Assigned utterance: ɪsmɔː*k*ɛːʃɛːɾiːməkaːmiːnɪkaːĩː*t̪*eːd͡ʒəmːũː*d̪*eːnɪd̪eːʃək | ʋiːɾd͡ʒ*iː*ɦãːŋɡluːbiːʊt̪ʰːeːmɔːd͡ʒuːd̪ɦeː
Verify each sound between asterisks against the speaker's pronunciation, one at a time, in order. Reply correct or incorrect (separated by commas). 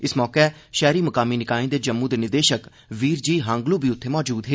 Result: correct, incorrect, correct, correct